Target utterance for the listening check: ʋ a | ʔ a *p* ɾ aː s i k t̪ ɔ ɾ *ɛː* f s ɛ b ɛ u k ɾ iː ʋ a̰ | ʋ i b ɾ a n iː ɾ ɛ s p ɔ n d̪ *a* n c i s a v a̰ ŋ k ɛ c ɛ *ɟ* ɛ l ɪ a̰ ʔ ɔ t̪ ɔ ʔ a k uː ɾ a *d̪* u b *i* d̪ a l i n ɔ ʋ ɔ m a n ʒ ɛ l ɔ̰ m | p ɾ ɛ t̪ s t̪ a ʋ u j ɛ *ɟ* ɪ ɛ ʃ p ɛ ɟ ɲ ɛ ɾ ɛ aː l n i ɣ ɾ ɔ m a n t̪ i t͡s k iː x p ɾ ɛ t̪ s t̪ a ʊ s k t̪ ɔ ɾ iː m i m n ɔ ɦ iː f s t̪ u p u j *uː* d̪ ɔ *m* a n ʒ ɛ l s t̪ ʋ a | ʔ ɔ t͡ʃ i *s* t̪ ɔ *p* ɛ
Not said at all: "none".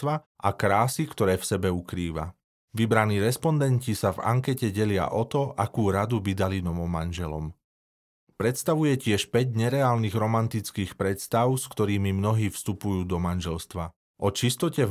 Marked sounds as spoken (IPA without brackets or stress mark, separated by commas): k, ɛː, ɛ, ɟ, d̪, i, c, uː, m, s, c